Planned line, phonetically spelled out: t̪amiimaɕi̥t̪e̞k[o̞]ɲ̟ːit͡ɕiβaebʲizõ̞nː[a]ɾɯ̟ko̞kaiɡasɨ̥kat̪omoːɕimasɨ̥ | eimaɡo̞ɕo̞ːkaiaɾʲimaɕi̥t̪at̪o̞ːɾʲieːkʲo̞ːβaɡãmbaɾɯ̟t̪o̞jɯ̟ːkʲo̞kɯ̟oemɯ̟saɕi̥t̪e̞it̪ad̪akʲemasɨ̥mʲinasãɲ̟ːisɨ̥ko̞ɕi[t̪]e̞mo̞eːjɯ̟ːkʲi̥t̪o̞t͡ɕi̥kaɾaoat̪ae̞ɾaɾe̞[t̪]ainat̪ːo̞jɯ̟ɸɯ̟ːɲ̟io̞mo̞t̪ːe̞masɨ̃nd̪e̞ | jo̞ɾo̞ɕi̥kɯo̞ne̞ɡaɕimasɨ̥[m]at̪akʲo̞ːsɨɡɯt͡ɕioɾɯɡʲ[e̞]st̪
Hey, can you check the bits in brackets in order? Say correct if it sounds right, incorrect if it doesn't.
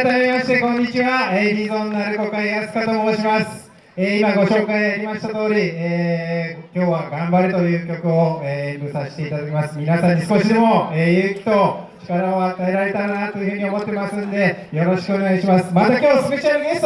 incorrect: õ̞, correct, incorrect: d̪, correct, correct, correct

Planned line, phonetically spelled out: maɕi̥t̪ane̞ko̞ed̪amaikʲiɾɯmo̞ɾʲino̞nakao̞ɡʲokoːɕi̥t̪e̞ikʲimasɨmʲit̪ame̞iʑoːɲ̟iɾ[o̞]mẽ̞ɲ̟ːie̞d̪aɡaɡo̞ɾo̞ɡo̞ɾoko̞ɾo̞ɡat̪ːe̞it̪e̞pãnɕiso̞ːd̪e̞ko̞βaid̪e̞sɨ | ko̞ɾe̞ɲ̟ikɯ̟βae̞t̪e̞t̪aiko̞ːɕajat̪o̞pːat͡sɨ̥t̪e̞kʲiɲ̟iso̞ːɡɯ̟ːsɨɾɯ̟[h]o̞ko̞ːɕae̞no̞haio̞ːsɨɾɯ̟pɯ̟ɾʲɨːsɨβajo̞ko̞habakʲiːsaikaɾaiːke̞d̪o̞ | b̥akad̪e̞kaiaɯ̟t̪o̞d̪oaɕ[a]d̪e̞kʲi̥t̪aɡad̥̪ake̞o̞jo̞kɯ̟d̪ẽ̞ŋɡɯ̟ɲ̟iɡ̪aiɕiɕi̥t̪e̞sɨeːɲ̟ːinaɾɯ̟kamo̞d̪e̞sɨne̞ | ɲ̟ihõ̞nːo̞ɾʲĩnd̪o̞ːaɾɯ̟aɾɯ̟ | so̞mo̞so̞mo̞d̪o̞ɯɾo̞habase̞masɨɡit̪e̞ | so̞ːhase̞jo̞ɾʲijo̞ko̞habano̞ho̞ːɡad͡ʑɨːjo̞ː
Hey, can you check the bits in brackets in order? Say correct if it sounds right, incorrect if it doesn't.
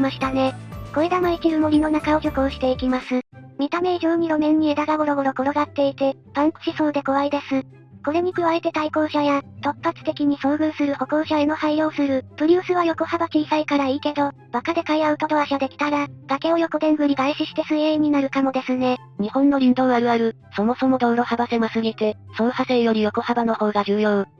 correct, correct, correct

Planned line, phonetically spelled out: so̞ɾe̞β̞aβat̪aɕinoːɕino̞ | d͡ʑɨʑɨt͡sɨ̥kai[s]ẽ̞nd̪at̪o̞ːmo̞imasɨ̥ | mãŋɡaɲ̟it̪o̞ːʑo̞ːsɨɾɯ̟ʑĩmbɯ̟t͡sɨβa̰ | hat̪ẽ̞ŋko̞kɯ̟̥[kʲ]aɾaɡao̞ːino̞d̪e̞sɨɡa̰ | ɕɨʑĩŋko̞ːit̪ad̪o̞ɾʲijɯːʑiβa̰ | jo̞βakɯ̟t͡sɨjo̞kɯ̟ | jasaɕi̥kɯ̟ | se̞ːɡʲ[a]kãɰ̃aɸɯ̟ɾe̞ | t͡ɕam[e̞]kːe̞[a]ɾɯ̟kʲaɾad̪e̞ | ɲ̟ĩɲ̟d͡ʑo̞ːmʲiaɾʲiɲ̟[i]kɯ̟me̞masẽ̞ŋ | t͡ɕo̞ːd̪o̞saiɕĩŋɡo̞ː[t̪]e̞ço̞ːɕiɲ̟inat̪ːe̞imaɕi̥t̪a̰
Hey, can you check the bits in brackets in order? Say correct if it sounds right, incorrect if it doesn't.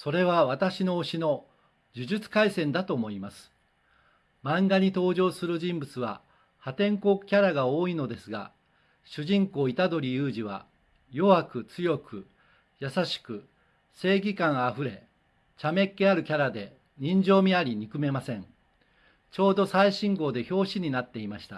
correct, correct, incorrect: i, correct, correct, correct, incorrect: d̪

